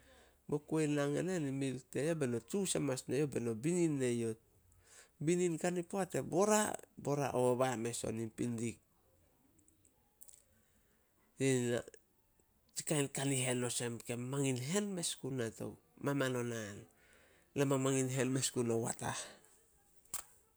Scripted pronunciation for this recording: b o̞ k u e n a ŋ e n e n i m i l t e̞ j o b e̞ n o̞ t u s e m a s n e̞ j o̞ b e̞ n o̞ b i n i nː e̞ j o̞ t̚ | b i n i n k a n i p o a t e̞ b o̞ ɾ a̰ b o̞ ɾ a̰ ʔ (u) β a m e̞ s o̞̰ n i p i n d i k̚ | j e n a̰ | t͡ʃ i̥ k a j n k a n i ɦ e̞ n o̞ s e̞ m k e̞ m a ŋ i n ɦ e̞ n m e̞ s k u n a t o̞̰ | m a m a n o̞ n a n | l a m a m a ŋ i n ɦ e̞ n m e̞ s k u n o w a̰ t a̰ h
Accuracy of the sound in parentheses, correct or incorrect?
incorrect: o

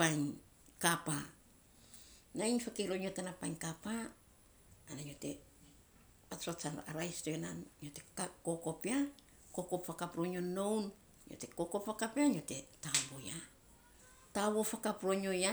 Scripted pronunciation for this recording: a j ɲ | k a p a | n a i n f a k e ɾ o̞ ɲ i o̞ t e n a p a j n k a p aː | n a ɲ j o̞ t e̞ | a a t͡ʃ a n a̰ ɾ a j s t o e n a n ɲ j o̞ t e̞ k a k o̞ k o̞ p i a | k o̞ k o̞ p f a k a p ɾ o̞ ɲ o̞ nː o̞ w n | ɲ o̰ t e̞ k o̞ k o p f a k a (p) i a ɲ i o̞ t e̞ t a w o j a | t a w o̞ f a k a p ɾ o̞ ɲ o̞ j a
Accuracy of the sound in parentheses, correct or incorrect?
correct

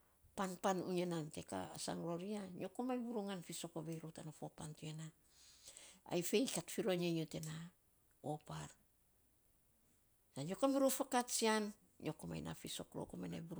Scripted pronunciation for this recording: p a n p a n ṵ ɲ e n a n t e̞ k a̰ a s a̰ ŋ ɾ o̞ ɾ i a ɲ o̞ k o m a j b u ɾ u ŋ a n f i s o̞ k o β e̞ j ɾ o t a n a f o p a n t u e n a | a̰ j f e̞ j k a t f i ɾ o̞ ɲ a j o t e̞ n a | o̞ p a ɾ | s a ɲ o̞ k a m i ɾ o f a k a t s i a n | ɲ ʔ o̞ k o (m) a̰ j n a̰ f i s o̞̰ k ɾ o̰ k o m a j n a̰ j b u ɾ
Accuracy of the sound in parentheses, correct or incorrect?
correct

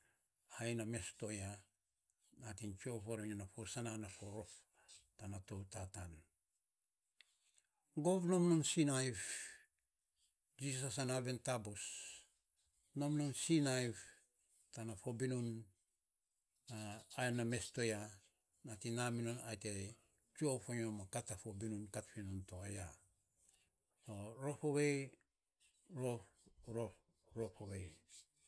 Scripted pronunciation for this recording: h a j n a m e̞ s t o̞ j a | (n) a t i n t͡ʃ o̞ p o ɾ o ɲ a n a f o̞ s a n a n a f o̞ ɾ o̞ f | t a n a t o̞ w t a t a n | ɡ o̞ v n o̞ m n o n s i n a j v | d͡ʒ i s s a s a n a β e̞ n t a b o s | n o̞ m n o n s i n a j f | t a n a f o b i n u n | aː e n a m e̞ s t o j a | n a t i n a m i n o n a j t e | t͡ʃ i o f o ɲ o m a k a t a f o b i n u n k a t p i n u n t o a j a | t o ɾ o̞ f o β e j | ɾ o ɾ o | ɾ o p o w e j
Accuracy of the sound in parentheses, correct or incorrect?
correct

